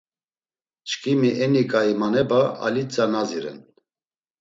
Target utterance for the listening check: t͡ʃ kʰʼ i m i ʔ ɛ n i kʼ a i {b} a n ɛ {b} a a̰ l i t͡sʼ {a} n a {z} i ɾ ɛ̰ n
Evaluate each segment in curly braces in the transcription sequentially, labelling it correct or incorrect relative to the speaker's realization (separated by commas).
incorrect, correct, correct, correct